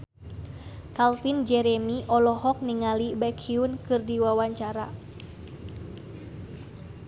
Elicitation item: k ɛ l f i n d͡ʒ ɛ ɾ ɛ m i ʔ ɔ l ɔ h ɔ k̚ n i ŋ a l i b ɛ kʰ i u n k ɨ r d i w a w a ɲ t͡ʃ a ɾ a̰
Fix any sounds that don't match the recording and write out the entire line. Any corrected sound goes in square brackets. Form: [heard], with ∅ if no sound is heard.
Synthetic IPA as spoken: k [a] l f i n d͡ʒ ɛ ɾ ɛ m i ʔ ɔ l ɔ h ɔ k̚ n i ŋ a l i b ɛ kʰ i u n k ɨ r d i w a w a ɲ t͡ʃ a ɾ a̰